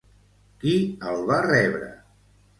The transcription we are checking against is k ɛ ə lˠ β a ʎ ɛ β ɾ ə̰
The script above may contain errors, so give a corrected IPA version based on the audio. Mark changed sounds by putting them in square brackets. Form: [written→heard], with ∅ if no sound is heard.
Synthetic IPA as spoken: k [ɛ→i] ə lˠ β a [ʎ→r] ɛ β ɾ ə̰